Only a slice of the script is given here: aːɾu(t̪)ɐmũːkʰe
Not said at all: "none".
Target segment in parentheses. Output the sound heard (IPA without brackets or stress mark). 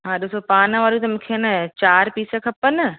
t̪